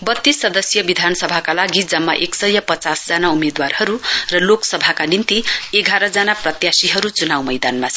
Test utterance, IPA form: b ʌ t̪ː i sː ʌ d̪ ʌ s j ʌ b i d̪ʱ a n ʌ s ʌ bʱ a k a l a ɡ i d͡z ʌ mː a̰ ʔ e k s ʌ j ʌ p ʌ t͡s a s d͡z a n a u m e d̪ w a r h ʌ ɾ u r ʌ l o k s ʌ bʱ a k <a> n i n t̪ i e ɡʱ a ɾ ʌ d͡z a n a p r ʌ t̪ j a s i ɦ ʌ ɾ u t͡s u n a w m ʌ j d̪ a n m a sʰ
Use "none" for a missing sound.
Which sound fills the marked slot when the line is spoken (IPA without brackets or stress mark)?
a